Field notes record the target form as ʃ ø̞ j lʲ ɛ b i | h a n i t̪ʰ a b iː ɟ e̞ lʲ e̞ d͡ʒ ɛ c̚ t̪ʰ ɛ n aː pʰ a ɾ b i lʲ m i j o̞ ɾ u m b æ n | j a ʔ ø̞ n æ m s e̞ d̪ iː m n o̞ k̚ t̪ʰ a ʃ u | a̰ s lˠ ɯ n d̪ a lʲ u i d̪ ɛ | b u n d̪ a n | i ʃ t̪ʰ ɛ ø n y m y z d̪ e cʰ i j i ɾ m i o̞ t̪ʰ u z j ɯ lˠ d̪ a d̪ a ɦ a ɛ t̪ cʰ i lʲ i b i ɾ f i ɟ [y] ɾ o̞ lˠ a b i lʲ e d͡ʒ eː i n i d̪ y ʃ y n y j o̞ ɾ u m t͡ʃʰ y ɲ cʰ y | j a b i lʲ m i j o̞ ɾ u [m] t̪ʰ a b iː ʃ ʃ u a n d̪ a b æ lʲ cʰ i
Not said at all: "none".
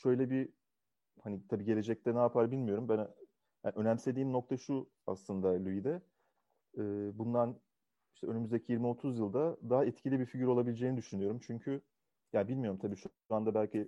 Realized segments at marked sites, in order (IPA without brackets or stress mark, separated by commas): y, m